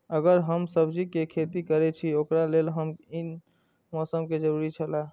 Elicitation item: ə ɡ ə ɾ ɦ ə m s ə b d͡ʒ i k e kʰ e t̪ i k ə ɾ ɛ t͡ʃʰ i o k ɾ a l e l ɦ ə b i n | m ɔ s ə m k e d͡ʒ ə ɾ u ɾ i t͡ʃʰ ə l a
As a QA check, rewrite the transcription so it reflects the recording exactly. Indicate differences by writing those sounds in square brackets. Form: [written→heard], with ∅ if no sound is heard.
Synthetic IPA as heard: ə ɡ ə ɾ ɦ ə m s ə b d͡ʒ i k e kʰ e t̪ i k ə ɾ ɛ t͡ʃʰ i o k ɾ a l e l ɦ ə [b→m] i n | m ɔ s ə m k e d͡ʒ ə ɾ u ɾ i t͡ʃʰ ə l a